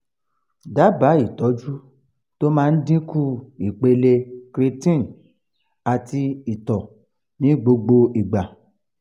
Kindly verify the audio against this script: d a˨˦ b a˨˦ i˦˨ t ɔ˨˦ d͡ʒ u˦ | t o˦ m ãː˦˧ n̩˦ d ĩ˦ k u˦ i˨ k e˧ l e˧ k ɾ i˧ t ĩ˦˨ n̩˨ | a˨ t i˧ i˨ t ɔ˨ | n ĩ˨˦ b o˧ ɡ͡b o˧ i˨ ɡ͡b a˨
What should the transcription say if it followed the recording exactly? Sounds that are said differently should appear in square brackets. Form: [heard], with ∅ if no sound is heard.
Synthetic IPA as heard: d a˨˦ b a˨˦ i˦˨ t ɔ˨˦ d͡ʒ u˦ | t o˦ m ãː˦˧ n̩˦ d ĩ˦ k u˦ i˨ [k͡p] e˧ l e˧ k ɾ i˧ t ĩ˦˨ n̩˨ | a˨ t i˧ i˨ t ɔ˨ | n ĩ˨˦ [ɡ͡b] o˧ ɡ͡b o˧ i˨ ɡ͡b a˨